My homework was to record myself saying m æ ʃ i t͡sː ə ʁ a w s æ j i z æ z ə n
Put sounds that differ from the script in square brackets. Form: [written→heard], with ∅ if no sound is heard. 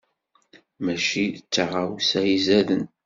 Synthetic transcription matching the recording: m æ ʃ i t͡sː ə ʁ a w s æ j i z æ [z→ð] ə n